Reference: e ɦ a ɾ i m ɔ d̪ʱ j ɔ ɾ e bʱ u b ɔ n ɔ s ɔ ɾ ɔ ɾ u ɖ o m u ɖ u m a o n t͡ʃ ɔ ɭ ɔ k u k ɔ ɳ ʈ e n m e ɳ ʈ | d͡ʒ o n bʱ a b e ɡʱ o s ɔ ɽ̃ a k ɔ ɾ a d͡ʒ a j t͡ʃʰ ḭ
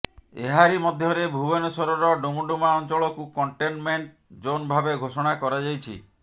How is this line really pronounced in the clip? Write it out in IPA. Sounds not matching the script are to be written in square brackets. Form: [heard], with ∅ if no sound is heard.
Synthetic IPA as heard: e ɦ a ɾ i m ɔ d̪ʱ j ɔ ɾ e bʱ u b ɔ n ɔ s ɔ ɾ ɔ ɾ [ɔ] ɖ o m u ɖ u m a [ɔ] n t͡ʃ ɔ ɭ ɔ k u k ɔ ɳ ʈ e n m e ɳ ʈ | d͡ʒ o n bʱ a b e ɡʱ o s ɔ ɽ̃ a k ɔ ɾ a d͡ʒ a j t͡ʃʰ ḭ